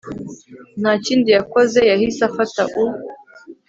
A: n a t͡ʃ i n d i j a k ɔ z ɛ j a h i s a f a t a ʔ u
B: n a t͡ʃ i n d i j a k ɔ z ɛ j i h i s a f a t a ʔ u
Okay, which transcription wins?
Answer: A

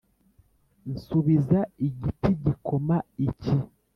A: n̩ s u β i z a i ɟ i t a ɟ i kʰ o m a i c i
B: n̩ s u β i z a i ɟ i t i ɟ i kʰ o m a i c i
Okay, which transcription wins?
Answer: B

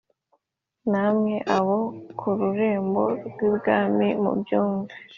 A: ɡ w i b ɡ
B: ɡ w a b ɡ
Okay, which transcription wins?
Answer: A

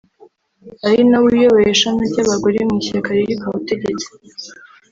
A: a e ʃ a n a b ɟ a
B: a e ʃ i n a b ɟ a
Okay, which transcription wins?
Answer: A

